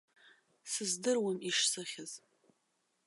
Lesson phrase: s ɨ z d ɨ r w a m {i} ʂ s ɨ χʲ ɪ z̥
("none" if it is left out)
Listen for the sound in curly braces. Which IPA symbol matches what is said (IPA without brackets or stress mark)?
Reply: i